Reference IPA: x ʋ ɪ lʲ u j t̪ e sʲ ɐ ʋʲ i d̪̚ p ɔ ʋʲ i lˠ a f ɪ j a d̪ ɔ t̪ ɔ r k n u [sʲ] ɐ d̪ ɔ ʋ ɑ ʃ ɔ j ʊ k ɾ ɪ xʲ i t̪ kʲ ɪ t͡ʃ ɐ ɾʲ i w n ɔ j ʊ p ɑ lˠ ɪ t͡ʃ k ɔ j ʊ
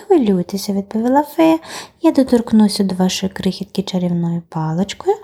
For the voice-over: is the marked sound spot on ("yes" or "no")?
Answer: yes